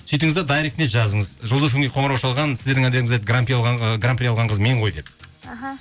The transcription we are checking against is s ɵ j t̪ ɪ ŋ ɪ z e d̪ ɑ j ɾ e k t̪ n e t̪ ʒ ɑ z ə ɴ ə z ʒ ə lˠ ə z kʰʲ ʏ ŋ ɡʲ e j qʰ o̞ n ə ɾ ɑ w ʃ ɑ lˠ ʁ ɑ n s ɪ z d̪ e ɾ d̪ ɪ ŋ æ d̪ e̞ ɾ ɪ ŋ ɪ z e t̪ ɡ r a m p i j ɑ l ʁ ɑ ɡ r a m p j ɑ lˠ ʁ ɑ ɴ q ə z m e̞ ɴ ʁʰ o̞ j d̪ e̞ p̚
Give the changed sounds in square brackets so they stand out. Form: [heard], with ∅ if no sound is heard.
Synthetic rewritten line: s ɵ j t̪ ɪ ŋ ɪ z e d̪ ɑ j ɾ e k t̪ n e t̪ ʒ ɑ z ə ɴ ə z ʒ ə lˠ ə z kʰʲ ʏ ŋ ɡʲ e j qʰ o̞ [ɴ] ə ɾ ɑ w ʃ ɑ lˠ ʁ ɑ n s ɪ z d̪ e ɾ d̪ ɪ ŋ æ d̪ e̞ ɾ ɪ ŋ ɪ z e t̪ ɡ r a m p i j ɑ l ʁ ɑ ɡ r a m p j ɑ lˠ ʁ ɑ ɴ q ə z m e̞ ɴ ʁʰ o̞ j d̪ e̞ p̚